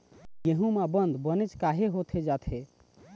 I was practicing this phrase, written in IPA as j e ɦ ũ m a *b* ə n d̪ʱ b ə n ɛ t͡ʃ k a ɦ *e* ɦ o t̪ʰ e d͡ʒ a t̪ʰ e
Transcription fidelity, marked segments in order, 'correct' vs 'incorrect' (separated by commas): correct, correct